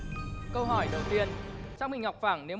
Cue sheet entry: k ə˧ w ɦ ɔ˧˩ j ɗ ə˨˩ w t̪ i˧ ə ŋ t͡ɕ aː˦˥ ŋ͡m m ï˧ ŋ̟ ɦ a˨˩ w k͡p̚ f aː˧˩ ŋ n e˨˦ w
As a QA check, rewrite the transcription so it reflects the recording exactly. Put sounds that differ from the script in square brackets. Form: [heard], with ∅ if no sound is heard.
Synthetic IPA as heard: k ə˧ w ɦ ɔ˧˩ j ɗ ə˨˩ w t̪ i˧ ə [n] t͡ɕ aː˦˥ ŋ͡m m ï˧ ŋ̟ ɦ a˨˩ w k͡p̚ f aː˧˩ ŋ n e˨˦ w